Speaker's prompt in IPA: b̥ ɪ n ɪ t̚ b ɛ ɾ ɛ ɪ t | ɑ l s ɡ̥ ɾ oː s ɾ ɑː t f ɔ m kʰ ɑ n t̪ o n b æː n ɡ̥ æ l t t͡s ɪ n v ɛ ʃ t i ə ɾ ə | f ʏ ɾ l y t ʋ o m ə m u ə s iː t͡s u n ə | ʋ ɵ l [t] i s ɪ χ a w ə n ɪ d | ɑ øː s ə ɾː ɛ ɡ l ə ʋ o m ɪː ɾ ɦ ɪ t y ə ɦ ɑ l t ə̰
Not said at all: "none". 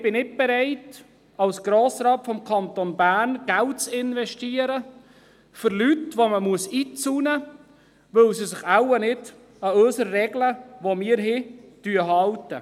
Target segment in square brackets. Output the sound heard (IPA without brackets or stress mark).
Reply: s